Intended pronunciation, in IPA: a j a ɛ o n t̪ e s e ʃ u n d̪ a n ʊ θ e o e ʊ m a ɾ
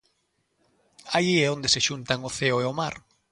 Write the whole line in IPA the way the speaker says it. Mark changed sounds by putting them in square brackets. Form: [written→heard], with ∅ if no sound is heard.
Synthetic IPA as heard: a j [a→i] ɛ o n [t̪→d̪] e s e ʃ u n [d̪→t̪] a [n→ŋ] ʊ θ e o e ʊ m a ɾ